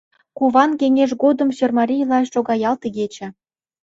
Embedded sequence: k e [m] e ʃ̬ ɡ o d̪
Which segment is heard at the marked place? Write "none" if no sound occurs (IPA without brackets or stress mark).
ŋ